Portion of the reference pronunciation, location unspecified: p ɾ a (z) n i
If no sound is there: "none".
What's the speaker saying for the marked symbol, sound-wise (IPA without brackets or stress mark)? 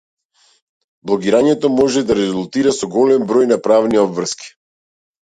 v